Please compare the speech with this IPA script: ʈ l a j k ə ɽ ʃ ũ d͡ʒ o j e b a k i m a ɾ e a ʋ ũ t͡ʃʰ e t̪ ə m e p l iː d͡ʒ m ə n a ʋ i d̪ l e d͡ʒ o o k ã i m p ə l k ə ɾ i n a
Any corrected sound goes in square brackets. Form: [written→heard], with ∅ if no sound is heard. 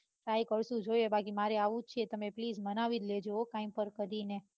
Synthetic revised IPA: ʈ [l→ɾ] a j k ə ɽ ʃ ũ d͡ʒ o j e b a k i m a ɾ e a ʋ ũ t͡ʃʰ e t̪ ə m e p l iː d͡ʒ m ə n a ʋ i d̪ l e d͡ʒ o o k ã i m p ə [l→ɾ] k ə ɾ i n [a→e]